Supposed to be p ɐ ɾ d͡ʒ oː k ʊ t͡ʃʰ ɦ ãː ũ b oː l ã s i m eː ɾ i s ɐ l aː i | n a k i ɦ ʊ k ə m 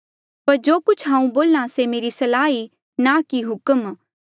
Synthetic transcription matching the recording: p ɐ ɾ d͡ʒ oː k ʊ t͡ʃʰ ɦ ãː ũ b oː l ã s e m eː ɾ i s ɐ l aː i | n a k i ɦ ʊ k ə m